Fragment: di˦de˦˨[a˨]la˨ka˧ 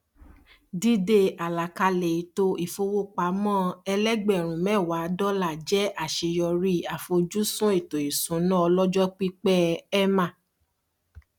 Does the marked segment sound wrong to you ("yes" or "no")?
no